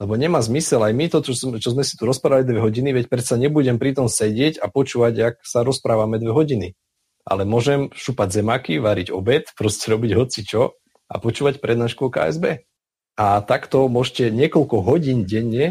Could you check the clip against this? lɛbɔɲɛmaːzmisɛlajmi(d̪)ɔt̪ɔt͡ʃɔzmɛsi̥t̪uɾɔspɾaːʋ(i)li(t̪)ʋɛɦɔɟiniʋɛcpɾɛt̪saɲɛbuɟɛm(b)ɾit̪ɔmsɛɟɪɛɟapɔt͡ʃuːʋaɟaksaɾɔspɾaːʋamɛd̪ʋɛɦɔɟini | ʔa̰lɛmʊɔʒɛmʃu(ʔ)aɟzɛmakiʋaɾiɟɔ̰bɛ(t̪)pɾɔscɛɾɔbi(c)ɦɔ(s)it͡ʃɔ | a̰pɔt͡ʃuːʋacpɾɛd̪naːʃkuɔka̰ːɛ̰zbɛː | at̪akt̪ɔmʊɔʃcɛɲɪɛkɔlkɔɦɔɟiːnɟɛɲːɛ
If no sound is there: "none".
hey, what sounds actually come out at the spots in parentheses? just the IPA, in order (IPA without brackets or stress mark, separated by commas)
t̪, a, d̪, p, p, t̪, ɟ, t͡s